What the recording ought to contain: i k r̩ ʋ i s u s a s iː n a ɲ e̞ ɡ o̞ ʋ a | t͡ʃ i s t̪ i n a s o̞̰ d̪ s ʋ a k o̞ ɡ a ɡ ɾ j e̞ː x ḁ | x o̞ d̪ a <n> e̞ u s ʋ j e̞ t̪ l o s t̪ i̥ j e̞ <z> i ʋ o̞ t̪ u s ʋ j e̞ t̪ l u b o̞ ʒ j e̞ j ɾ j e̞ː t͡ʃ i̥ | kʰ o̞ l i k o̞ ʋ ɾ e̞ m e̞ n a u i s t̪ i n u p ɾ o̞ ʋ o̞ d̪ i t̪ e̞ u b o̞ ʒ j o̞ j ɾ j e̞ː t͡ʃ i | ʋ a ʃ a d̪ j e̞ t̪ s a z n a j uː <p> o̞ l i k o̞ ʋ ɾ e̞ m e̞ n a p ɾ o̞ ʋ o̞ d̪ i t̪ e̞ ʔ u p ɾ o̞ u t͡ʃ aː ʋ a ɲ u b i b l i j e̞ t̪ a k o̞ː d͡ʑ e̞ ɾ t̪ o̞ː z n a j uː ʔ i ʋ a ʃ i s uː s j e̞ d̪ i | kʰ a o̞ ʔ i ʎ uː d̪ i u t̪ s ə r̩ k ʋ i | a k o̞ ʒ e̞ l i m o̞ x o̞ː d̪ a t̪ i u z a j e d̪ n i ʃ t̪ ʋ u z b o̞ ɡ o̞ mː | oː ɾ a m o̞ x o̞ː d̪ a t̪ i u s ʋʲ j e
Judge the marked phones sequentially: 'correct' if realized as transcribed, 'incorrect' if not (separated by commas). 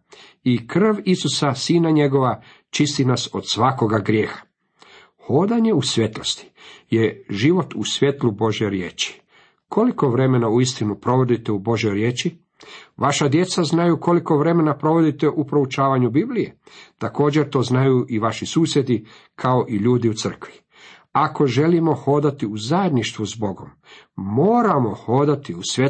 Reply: incorrect, incorrect, incorrect